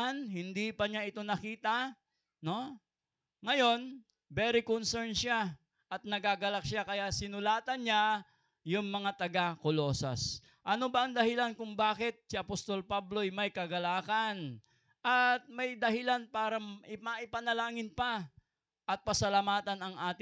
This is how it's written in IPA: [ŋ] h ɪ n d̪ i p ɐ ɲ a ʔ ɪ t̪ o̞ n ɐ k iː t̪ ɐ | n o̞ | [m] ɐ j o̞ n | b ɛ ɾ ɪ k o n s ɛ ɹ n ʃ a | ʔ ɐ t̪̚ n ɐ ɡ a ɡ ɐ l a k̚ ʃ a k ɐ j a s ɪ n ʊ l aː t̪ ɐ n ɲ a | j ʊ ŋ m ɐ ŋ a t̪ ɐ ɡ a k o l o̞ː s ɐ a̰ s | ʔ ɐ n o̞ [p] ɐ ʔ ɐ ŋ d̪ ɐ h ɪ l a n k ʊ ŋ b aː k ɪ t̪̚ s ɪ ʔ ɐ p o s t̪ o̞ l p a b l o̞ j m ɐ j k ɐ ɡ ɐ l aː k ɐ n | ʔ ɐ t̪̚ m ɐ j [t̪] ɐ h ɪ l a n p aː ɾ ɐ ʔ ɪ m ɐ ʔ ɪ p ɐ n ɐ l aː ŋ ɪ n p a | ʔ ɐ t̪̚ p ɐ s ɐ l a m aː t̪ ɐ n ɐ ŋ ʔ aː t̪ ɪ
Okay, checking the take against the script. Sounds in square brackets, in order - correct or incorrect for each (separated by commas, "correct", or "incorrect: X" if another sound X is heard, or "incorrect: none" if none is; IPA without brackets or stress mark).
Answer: incorrect: n, incorrect: ŋ, incorrect: b, incorrect: d̪